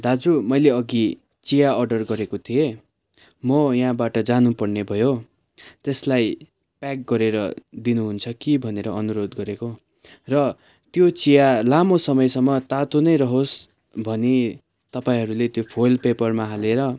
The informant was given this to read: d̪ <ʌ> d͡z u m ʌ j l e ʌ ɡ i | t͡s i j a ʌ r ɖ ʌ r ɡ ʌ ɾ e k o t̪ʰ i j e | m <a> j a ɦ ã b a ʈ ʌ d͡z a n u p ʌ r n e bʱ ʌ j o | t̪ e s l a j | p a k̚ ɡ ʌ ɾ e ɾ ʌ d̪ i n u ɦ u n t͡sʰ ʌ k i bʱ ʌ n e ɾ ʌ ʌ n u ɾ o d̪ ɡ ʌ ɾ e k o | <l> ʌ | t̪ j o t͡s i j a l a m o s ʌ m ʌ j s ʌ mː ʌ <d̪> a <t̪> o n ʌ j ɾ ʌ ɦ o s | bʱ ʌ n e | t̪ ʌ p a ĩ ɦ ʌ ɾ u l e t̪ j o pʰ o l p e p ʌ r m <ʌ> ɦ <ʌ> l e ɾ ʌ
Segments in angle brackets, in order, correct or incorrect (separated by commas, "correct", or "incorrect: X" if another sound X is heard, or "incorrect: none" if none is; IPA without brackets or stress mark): incorrect: a, incorrect: ʌ, incorrect: r, incorrect: t̪, correct, incorrect: a, incorrect: a